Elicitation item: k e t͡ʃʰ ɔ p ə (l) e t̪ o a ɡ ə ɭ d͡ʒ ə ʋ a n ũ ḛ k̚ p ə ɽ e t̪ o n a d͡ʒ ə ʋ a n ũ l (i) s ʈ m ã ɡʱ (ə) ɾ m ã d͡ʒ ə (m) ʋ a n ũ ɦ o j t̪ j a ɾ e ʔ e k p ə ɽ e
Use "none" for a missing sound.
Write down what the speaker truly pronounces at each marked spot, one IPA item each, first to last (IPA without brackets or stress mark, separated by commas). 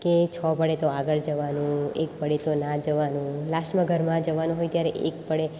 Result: ɽ, a, ə, none